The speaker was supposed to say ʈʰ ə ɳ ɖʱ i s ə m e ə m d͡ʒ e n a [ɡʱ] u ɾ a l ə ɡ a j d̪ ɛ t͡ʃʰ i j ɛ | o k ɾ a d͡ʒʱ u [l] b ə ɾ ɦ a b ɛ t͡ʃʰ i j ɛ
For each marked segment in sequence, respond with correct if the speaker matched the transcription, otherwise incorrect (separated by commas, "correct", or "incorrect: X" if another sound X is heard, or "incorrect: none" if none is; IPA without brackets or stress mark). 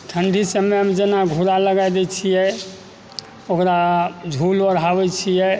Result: correct, correct